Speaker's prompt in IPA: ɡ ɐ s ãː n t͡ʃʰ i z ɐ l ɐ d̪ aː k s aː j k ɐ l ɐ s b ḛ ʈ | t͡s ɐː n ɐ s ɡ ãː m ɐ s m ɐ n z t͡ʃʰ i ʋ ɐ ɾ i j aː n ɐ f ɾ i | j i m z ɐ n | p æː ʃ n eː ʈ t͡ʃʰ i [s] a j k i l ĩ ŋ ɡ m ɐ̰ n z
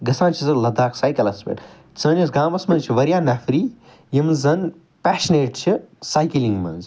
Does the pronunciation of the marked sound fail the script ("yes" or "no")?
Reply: no